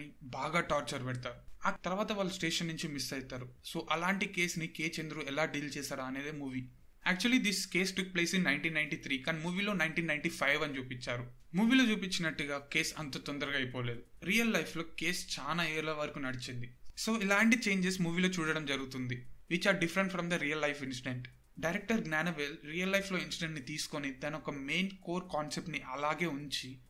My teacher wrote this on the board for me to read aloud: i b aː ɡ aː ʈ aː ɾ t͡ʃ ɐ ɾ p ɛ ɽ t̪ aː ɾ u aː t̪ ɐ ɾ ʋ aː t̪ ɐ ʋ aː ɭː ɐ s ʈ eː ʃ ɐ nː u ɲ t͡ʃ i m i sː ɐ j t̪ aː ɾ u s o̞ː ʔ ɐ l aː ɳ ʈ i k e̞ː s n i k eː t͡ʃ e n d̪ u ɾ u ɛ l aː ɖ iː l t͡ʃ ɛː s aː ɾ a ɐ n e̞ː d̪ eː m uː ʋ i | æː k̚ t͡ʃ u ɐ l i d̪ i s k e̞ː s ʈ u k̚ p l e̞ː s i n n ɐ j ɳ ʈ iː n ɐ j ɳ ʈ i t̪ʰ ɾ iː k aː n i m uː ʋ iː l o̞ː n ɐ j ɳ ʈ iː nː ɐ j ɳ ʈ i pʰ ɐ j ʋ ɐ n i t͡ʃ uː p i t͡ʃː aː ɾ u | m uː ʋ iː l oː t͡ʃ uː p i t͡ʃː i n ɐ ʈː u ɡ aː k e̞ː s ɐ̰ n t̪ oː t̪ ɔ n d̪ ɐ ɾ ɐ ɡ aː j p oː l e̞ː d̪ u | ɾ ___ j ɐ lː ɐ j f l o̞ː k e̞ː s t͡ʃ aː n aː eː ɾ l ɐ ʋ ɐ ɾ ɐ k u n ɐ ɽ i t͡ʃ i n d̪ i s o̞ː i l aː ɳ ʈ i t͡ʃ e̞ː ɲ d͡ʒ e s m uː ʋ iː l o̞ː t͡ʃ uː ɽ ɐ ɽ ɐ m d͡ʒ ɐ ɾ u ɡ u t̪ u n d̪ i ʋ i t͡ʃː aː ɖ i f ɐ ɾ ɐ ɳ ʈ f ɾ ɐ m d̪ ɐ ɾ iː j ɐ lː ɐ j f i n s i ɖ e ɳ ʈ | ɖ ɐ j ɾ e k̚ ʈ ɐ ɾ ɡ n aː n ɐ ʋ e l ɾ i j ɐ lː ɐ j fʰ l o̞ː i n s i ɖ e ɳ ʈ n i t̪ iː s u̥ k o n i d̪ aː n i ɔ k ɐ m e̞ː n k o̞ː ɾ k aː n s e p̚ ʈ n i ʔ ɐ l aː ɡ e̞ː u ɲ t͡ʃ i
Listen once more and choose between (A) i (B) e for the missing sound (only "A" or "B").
A